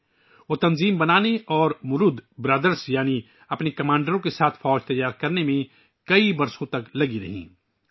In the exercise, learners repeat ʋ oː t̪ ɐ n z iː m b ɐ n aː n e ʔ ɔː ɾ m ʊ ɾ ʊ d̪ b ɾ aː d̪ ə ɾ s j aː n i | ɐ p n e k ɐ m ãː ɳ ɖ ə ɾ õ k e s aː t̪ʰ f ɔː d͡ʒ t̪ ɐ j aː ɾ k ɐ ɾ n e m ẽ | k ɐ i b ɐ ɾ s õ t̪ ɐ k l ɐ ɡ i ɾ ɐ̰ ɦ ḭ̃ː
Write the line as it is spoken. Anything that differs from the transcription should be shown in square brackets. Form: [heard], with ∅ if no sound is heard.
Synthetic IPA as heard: ʋ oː t̪ ɐ n z iː m b ɐ n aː n e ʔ ɔː ɾ m ʊ ɾ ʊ d̪ b ɾ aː d̪ ə ɾ s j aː n i | ɐ p n e k ɐ m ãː ɳ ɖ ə ɾ õ k e s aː t̪ʰ f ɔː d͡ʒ t̪ ɐ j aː ɾ k ɐ ɾ n e m ẽ | k ɐ i b ɐ ɾ s õ t̪ ɐ k l ɐ ɡ i ɾ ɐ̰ ɦ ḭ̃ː